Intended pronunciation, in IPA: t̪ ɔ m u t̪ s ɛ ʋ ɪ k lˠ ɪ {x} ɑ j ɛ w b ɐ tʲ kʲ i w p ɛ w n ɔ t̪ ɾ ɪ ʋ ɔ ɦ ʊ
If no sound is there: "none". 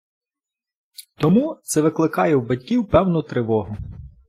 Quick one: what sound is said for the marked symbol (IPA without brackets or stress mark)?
k